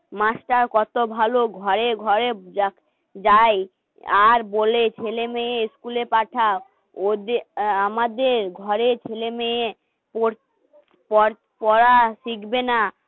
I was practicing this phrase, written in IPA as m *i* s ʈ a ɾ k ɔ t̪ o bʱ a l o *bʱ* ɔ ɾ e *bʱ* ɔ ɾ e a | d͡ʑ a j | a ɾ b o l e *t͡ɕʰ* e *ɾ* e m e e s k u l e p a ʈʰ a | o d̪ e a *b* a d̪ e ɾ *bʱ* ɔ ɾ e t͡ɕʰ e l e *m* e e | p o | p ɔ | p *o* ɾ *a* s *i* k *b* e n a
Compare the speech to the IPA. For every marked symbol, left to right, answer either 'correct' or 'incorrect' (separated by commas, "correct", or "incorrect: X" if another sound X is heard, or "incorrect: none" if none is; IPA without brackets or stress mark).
incorrect: a, incorrect: ɡʱ, incorrect: ɡʱ, correct, incorrect: l, incorrect: m, incorrect: ɡʱ, correct, incorrect: ɔ, correct, correct, correct